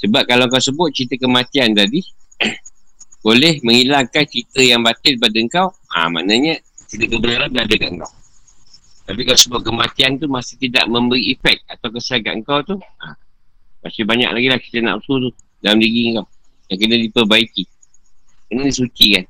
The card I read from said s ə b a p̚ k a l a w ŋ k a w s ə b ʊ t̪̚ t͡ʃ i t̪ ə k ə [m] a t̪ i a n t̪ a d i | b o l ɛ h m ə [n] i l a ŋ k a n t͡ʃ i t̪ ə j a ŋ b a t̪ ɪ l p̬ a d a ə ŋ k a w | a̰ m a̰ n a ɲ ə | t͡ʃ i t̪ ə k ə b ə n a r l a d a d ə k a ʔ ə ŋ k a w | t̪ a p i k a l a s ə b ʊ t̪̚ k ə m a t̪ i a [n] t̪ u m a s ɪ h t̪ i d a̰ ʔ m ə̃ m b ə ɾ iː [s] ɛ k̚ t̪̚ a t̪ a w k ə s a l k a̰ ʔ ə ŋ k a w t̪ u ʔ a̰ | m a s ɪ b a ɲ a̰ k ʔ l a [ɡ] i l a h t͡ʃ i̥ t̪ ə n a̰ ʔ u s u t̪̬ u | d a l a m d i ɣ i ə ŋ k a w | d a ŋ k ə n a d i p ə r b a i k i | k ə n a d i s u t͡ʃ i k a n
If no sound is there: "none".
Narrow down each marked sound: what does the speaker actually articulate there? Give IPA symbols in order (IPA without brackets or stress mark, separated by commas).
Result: m, ŋ, n, f, ɡ